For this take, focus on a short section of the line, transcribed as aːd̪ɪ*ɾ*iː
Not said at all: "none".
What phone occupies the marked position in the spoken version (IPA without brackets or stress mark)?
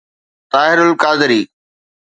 ɾ